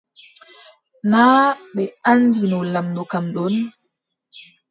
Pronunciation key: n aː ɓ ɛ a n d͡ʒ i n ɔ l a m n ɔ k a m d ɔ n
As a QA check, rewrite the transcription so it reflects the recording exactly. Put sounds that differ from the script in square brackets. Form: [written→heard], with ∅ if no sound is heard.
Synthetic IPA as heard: n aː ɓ ɛ a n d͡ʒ i n ɔ l a m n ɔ k a m [d→ɗ] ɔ n

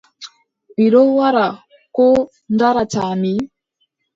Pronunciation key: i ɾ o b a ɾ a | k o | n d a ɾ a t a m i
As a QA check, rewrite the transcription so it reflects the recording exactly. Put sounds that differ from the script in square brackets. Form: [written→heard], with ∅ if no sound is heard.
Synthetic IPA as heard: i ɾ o [b→w] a ɾ a | k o | n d a ɾ a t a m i

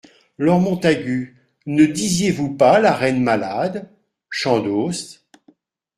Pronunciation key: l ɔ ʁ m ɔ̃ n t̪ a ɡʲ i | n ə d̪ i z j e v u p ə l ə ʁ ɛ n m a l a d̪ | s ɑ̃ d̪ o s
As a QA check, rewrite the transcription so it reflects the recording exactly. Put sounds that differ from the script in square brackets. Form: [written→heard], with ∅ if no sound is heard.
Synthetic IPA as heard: l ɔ ʁ m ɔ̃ [n→∅] t̪ a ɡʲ [i→y] | n ə d̪ i z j e v u p [ə→a] l [ə→a] ʁ ɛ n m a l a d̪ | [s→ʃ] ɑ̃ d̪ o s

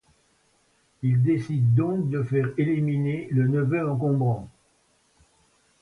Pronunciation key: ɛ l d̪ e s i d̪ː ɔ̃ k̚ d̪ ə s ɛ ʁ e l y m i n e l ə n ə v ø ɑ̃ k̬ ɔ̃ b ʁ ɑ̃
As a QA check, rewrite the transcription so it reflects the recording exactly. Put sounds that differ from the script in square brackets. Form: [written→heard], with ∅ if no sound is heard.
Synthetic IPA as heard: [ɛ→i] l d̪ e s i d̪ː ɔ̃ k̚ d̪ ə [s→f] ɛ ʁ e l [y→i] m i n e l ə n ə v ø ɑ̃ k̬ ɔ̃ b ʁ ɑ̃

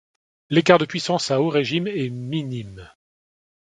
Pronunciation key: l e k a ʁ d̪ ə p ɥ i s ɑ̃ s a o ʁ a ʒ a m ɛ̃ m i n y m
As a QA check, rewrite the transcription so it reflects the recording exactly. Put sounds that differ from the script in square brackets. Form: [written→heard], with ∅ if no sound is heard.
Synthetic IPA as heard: l e k a ʁ d̪ ə p ɥ i s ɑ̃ s a o ʁ [a→e] ʒ [a→i] m [ɛ̃→ɛ] m i n [y→i] m

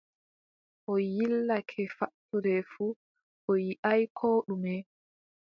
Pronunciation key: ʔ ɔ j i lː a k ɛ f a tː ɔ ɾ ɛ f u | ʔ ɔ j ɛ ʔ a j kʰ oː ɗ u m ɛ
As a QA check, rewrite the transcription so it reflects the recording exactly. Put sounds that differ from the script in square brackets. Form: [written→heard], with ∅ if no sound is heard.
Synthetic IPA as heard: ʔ ɔ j i lː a [k→kʰ] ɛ f a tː [ɔ→u] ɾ ɛ f u | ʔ ɔ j [ɛ→i] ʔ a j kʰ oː ɗ u m ɛ

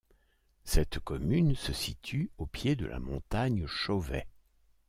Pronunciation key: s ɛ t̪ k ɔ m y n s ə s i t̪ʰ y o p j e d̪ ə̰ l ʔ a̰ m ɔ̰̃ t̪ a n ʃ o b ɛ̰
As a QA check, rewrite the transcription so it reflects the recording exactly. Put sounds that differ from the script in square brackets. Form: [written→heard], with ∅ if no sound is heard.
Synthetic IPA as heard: s ɛ t̪ k ɔ m y n s ə s i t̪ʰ y o p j e d̪ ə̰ l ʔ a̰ m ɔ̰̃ t̪ a [n→ɲ] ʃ o [b→v] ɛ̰

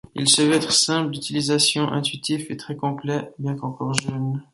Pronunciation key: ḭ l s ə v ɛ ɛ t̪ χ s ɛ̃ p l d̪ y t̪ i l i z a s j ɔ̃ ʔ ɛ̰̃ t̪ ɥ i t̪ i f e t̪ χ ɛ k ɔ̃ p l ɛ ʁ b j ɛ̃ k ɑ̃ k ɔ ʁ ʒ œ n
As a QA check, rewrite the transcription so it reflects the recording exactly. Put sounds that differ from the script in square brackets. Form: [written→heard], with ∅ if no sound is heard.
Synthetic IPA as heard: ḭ l s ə v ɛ ɛ t̪ χ s ɛ̃ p l d̪ y t̪ i l i z a s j ɔ̃ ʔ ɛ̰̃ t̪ ɥ i t̪ i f e t̪ χ ɛ k ɔ̃ p l ɛ [ʁ→∅] b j ɛ̃ k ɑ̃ k ɔ ʁ ʒ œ n

